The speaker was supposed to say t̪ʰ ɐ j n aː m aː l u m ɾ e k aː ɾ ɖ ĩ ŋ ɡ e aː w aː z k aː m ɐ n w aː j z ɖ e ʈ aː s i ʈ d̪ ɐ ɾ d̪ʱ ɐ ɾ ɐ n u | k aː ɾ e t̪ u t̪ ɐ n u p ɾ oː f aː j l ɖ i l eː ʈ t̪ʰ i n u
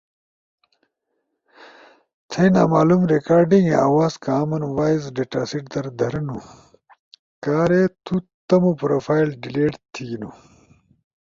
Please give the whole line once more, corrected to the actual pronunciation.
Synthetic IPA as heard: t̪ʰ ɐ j n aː m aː l u m ɾ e k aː ɾ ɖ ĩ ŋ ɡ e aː w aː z k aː m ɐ n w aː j z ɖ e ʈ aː s i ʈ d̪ ɐ ɾ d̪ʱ ɐ ɾ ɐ n u | k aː ɾ e t̪ u t̪ ɐ m u p ɾ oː f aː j l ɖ i l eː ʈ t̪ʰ i n u